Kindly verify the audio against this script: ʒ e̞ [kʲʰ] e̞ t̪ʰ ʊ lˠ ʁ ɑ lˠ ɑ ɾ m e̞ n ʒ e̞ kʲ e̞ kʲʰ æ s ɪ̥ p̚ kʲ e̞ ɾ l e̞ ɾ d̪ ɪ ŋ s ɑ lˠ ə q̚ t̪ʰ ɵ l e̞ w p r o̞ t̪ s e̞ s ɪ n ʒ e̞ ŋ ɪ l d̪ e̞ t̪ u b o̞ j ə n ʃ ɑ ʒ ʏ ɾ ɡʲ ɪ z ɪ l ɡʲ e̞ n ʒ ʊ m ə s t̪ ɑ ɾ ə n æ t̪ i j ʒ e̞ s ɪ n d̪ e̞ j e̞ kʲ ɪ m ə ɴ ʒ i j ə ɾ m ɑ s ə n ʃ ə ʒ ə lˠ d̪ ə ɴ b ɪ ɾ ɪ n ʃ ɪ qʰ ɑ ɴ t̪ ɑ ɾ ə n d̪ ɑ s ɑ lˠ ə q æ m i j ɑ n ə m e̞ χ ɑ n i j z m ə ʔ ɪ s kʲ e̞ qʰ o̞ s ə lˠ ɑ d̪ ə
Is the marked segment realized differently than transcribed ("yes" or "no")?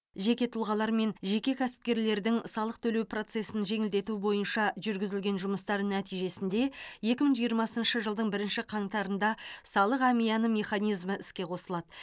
yes